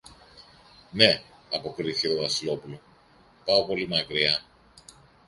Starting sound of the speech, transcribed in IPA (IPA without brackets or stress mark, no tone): n